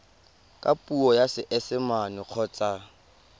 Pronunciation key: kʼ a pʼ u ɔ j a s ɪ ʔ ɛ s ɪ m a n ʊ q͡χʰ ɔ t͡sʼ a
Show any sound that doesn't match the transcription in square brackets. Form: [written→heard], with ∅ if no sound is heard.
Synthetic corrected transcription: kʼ a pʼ u ɔ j a s ɪ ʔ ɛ s ɪ m a n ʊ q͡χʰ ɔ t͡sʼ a